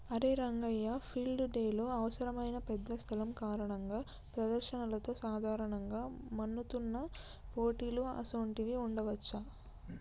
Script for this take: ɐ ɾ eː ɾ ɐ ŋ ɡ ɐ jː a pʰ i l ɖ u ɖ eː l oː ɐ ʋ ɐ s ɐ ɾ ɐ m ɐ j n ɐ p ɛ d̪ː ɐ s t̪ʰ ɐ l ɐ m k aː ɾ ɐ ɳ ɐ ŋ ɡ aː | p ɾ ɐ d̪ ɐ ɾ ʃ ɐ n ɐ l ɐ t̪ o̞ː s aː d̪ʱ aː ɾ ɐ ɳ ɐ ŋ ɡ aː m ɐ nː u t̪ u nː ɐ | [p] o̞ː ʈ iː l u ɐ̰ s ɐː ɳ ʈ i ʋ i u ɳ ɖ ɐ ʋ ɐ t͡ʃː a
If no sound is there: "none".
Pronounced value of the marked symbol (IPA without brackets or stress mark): p